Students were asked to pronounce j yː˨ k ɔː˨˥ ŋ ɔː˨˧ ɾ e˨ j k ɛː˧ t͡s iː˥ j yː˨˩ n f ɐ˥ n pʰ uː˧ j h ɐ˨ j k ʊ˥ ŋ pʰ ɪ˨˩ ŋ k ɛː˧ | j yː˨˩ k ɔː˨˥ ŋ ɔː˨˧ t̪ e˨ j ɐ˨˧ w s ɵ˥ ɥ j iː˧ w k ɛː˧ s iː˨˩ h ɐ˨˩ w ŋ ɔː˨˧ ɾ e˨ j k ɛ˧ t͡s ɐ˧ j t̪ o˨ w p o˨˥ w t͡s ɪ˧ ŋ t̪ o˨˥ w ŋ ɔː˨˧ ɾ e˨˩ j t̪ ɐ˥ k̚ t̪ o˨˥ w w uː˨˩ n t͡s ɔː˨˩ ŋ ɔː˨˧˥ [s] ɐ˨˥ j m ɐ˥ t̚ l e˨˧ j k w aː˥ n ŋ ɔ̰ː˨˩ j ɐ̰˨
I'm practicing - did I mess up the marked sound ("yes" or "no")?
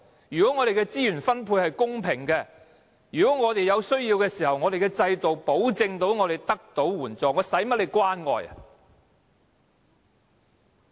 no